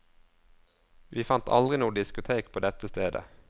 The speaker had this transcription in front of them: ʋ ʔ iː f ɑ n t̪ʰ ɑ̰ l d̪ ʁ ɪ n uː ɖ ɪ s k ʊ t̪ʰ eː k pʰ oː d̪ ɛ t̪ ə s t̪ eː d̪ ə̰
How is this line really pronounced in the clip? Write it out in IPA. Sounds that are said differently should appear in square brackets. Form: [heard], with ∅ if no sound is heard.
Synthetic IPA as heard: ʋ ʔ iː f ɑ n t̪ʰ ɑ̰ l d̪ ʁ ɪ n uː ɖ ɪ s k ʊ t̪ʰ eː k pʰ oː d̪ ɛ t̪ ə s t̪ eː d̪ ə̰

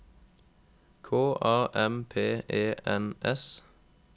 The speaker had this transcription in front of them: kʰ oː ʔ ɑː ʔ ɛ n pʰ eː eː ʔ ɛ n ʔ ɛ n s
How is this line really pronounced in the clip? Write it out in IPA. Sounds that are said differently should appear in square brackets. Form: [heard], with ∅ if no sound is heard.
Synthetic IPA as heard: kʰ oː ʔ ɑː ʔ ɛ [m] pʰ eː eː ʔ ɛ n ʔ ɛ [∅] s

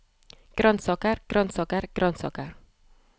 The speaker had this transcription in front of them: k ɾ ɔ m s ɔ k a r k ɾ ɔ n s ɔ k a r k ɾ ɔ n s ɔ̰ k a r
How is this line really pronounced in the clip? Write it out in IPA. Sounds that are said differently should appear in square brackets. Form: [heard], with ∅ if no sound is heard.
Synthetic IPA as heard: k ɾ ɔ [n] s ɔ k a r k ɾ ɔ n s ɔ k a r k ɾ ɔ n s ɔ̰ k a r

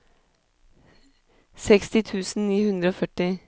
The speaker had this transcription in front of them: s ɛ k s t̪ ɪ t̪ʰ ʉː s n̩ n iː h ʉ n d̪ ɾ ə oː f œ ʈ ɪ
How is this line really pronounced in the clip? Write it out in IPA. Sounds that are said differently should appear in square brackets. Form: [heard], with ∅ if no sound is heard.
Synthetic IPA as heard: s ɛ k s t̪ ɪ t̪ʰ ʉː s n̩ n iː h ʉ n d̪ ɾ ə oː f œ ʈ ɪ

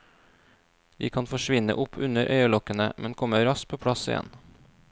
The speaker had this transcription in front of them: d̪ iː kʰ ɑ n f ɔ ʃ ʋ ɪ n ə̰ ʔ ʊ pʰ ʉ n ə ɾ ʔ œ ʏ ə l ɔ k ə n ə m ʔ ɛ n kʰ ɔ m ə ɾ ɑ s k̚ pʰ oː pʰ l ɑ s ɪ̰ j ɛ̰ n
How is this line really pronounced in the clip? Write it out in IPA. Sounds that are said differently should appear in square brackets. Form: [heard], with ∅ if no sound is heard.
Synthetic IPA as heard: d̪ iː kʰ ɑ n f ɔ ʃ ʋ ɪ n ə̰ ʔ ʊ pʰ ʉ n ə ɾ ʔ œ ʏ ə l ɔ k ə n ə m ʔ ɛ n kʰ ɔ m ə ɾ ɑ s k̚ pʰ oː pʰ [ɽ] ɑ s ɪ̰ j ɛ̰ n

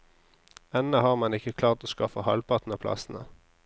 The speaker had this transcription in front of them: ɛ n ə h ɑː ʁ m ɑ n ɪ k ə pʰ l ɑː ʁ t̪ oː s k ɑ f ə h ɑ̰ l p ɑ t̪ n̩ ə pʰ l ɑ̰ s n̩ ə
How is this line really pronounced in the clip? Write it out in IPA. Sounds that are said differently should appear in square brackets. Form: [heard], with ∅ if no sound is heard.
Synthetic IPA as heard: ɛ n ə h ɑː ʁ m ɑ n ɪ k ə [kʰ] l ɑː ʁ t̪ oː s k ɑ f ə h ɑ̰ l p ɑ t̪ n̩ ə pʰ l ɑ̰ s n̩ ə

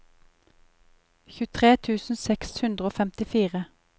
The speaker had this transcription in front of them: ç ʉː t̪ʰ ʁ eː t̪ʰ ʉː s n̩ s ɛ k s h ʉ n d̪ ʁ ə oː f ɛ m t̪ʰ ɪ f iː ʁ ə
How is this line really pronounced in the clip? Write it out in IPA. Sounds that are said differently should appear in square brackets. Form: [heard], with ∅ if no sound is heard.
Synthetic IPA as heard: ç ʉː t̪ʰ ʁ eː t̪ʰ ʉː s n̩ s ɛ k s h ʉ n d̪ ʁ ə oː f ɛ m [t̪] ɪ f iː ʁ ə

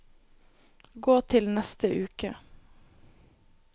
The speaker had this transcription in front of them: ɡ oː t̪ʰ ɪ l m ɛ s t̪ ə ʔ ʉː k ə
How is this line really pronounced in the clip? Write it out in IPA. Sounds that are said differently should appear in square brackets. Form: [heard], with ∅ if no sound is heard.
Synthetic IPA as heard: ɡ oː t̪ʰ ɪ l [n] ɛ s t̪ ə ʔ ʉː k ə

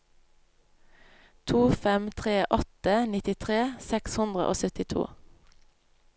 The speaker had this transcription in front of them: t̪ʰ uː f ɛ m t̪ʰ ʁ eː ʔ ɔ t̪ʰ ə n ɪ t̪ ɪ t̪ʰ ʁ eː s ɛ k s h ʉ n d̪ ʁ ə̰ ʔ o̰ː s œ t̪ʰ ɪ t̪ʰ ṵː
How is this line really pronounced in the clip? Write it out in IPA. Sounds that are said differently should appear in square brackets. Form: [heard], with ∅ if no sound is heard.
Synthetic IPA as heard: t̪ʰ uː f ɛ m t̪ʰ ʁ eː ʔ ɔ [t̪] ə n ɪ t̪ ɪ t̪ʰ ʁ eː s ɛ k s h ʉ n d̪ ʁ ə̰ ʔ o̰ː s œ [t̪] ɪ t̪ʰ ṵː

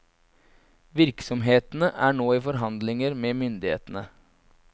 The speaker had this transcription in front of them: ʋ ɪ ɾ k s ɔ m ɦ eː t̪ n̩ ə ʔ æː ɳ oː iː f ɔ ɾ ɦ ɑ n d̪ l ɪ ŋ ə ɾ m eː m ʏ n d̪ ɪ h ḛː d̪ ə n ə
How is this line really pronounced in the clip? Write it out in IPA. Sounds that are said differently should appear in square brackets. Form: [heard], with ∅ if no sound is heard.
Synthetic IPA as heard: ʋ ɪ ɾ k s ɔ m ɦ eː t̪ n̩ ə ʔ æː ɳ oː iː f ɔ ɾ ɦ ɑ n d̪ l ɪ ŋ ə ɾ m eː m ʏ n d̪ ɪ h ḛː [t̪] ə n ə

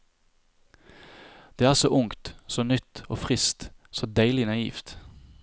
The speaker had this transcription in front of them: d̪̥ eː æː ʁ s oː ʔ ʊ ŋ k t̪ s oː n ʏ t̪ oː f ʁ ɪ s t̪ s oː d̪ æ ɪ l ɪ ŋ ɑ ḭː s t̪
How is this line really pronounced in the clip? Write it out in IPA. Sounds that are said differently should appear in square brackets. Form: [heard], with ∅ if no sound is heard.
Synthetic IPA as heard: d̪̥ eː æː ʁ s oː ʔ ʊ ŋ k t̪ s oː n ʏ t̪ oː f ʁ ɪ s t̪ s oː d̪ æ ɪ l ɪ [n] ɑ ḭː [f] t̪

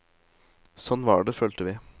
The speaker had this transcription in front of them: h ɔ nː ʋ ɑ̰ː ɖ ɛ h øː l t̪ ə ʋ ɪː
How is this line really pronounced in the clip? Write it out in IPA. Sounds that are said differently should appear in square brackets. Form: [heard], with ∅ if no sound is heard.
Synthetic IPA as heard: [s] ɔ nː ʋ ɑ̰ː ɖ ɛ [f] øː l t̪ ə ʋ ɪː

